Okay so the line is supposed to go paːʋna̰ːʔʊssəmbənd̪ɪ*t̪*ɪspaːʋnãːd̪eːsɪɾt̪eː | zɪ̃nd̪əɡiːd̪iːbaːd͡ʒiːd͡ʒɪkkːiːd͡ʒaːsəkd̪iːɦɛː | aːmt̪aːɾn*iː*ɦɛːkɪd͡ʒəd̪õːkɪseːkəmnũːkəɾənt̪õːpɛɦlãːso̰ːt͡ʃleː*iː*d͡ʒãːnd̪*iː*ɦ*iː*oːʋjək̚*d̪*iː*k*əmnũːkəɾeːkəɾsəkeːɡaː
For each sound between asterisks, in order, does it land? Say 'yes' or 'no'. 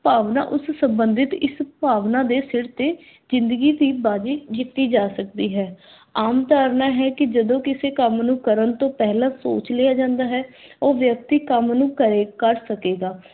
yes, no, no, no, no, no, yes

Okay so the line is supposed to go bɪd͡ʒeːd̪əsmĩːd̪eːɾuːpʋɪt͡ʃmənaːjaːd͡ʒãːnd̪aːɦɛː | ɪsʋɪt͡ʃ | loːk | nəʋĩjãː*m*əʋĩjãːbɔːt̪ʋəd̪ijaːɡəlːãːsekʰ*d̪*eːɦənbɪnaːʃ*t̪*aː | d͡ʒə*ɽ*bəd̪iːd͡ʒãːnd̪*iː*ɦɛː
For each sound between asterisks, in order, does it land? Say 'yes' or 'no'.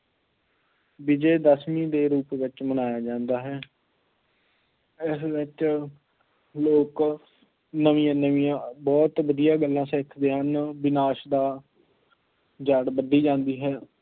no, yes, no, yes, yes

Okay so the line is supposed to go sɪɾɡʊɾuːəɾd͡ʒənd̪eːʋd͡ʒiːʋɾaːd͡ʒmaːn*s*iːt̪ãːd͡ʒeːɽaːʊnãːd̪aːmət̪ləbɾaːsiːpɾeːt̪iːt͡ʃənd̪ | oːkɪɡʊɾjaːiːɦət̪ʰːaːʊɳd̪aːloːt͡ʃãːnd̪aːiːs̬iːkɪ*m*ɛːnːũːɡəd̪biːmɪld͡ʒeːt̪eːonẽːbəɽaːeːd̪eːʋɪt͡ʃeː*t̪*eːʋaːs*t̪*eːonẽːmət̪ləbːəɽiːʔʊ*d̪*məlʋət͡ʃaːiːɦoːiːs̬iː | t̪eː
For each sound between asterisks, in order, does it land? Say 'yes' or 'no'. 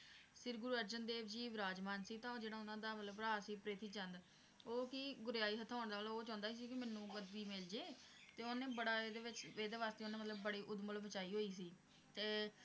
yes, yes, no, yes, yes

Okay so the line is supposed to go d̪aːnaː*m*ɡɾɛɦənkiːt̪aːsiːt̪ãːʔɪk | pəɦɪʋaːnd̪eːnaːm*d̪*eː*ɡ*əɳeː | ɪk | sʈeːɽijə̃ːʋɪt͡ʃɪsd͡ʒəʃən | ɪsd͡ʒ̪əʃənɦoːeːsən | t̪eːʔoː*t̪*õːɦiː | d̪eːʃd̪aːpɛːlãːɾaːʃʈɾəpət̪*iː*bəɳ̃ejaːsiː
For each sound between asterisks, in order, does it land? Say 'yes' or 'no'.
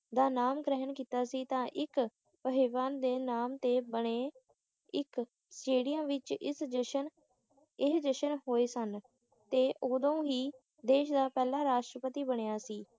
yes, no, no, no, yes

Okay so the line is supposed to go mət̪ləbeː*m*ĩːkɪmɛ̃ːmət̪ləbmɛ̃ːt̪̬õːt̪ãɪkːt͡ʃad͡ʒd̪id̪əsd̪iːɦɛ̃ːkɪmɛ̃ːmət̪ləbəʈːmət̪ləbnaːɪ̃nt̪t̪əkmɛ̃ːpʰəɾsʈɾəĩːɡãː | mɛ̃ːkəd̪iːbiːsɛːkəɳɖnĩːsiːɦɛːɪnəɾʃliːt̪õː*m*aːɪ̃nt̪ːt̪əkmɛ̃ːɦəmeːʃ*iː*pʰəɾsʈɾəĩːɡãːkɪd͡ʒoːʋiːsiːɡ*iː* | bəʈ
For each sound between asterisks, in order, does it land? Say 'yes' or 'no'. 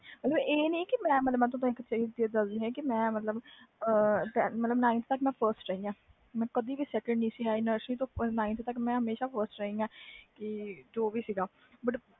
no, no, no, no

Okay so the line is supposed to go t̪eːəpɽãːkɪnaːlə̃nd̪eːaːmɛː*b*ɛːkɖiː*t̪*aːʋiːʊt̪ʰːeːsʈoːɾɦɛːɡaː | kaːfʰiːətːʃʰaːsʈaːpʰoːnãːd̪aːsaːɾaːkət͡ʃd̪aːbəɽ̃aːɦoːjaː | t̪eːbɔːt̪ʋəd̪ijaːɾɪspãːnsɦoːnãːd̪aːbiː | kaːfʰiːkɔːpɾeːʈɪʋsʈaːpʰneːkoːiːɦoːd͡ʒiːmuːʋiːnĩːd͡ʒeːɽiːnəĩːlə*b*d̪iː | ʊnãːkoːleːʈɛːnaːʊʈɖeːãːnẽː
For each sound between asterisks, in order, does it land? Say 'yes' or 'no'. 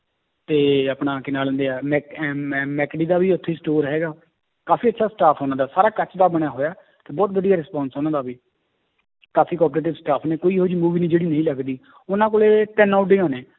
no, no, no

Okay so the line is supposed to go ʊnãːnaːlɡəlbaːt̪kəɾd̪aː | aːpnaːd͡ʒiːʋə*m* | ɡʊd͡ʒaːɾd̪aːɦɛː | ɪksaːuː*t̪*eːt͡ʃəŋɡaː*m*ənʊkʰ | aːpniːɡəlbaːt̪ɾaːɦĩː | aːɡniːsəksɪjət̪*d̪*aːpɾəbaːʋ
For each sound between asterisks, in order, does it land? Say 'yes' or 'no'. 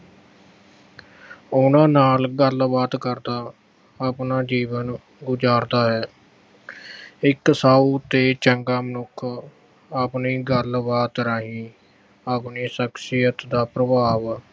no, yes, yes, yes

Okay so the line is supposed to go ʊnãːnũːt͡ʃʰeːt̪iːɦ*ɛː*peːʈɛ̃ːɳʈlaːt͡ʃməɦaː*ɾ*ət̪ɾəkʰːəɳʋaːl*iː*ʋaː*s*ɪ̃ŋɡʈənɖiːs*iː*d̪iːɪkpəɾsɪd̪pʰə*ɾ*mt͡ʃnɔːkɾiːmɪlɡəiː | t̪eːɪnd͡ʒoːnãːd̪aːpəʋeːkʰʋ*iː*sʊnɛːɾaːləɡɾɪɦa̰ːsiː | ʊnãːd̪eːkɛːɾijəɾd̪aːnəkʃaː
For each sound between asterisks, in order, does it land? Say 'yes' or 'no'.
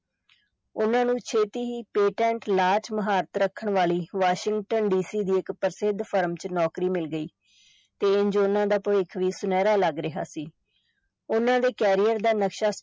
no, yes, yes, no, yes, yes, yes

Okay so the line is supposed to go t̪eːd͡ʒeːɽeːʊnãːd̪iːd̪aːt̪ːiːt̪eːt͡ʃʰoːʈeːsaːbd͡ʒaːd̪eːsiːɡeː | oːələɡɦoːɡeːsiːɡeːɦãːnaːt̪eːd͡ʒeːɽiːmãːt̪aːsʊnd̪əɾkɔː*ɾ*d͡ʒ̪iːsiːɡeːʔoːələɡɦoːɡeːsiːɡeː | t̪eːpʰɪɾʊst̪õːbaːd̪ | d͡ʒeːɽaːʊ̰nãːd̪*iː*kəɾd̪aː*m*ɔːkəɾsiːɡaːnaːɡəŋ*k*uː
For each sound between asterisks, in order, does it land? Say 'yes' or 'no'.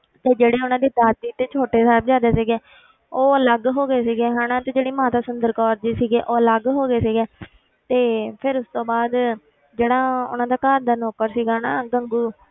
yes, no, no, no

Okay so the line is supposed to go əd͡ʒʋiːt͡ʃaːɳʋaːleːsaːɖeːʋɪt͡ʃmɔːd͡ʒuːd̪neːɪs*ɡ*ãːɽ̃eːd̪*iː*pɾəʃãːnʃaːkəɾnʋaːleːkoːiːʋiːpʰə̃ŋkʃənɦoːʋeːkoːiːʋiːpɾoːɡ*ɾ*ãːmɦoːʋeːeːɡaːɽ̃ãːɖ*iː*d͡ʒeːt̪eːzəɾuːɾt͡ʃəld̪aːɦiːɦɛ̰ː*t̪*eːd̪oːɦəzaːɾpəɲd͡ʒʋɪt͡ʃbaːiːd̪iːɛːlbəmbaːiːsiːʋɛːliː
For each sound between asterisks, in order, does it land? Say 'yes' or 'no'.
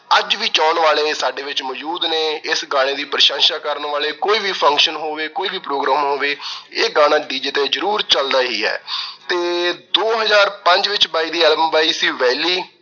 yes, yes, yes, yes, yes

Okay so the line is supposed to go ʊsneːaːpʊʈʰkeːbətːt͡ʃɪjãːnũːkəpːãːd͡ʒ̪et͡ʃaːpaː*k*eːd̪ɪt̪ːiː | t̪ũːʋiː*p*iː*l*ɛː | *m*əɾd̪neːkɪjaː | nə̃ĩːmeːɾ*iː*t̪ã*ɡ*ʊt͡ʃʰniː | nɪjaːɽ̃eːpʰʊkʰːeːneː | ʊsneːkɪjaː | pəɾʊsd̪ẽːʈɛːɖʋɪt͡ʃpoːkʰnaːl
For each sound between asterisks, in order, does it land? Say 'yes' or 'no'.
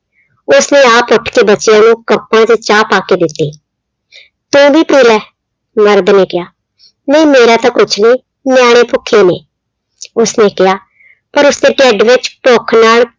yes, yes, yes, yes, no, no

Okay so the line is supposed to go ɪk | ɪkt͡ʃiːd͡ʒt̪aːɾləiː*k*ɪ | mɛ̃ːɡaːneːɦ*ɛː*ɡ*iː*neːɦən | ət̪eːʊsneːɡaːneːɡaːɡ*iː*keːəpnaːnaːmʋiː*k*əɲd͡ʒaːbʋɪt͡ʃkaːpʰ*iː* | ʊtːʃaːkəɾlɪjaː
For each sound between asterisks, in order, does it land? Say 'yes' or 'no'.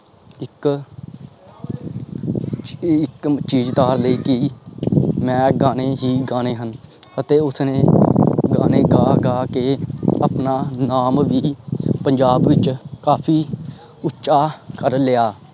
yes, no, no, no, no, yes

